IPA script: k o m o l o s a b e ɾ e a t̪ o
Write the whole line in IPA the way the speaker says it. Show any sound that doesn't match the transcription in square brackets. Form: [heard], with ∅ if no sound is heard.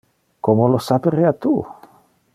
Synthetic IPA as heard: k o m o l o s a [p] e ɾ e a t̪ [u]